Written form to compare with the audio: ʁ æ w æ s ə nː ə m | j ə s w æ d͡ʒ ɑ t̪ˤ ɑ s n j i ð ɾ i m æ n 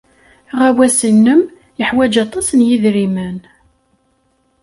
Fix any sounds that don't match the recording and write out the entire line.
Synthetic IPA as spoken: ʁ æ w æ s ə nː ə m | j ə ħ w æ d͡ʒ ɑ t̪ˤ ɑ s n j i ð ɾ i m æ n